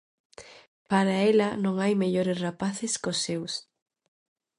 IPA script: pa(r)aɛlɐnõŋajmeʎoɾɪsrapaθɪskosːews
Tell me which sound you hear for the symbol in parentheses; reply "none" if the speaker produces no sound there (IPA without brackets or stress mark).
ɾ